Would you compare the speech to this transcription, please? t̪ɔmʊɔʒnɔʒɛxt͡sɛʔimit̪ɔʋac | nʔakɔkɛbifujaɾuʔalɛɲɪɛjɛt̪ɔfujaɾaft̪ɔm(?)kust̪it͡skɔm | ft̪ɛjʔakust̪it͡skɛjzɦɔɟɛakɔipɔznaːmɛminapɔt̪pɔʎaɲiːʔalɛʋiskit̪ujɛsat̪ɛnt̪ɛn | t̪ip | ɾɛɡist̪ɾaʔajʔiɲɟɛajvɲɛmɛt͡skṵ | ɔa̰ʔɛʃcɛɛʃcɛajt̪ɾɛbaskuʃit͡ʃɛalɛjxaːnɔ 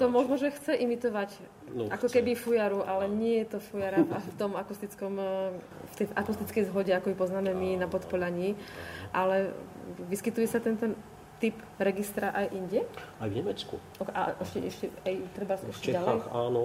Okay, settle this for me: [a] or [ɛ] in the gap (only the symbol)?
a